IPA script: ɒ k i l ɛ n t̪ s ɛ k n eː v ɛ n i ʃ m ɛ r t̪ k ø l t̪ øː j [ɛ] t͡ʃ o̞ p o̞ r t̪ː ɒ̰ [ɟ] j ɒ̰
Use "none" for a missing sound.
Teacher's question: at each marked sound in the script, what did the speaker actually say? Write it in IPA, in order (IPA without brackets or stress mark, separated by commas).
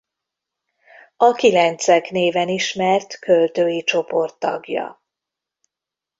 i, ɡ